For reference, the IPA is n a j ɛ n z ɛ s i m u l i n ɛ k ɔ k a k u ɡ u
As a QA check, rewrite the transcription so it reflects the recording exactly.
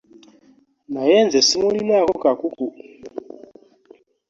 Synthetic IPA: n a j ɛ n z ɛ s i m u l i n a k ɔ k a k u k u